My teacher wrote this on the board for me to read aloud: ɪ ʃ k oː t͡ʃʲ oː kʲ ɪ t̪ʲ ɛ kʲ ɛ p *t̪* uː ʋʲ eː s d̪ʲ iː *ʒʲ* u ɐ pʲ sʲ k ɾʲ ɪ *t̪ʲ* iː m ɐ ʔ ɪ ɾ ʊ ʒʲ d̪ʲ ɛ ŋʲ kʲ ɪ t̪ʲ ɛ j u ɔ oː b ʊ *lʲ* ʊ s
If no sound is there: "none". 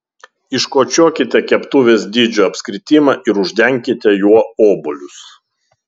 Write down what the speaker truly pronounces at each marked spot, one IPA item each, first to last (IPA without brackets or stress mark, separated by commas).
t̪, d͡ʒʲ, t̪ʲ, lʲ